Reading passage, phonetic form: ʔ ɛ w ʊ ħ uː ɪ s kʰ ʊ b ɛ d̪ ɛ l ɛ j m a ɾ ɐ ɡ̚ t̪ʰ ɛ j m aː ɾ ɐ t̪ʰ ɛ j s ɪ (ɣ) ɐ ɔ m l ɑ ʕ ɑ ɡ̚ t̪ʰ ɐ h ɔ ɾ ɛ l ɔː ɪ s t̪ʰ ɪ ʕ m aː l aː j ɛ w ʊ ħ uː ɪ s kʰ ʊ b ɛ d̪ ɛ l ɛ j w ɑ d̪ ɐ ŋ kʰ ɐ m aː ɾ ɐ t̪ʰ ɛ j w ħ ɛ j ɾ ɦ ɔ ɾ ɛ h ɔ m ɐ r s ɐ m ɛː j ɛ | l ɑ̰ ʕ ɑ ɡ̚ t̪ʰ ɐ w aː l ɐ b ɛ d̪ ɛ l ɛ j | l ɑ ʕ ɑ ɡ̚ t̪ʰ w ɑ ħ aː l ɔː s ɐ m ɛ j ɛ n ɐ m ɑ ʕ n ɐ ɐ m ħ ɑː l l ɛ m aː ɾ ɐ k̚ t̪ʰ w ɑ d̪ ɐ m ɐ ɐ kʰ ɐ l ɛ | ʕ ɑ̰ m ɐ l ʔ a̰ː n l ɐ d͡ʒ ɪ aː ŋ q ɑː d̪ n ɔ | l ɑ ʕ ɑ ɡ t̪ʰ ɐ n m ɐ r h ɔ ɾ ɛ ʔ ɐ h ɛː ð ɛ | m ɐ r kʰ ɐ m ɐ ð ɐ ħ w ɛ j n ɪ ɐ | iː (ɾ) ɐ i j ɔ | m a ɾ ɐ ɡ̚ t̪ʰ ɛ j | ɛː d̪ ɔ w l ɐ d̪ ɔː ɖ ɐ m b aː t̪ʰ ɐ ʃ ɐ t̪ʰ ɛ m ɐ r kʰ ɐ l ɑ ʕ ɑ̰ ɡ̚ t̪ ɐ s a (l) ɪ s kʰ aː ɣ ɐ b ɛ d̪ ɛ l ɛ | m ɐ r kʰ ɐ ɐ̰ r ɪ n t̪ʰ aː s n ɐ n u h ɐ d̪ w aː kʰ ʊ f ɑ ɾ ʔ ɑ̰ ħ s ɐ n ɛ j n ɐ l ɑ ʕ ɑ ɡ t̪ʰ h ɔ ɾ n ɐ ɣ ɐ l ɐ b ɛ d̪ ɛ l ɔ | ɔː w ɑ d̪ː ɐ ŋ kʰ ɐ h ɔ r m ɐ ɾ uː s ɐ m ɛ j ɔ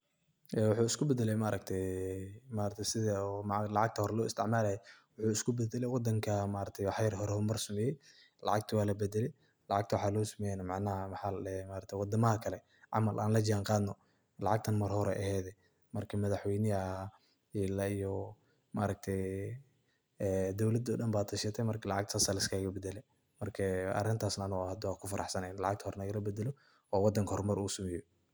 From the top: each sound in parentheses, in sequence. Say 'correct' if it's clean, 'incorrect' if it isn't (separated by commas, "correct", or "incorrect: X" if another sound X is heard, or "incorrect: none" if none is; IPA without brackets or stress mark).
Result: incorrect: ð, incorrect: l, correct